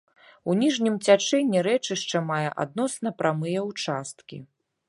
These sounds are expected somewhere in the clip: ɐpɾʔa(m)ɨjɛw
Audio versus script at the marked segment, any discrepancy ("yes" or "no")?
no